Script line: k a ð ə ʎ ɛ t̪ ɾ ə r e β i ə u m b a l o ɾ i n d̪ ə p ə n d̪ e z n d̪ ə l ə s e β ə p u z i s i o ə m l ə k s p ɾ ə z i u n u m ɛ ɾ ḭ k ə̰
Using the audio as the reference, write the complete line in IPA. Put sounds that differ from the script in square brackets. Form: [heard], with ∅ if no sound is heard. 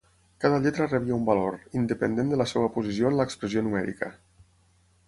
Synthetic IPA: k a ð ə ʎ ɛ t̪ ɾ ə r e β i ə u m b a l o ɾ i n d̪ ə p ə n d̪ e [∅] n d̪ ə l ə s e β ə p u z i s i o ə [n] l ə k s p ɾ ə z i [o] n u m ɛ ɾ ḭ k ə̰